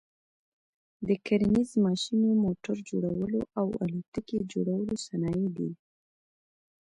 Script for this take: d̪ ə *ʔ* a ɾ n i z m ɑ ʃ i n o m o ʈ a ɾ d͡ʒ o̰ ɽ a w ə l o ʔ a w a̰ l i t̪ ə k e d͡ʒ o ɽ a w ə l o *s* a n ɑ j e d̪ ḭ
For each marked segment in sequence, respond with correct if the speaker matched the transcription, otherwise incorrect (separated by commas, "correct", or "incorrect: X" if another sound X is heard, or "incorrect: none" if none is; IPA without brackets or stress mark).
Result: incorrect: k, correct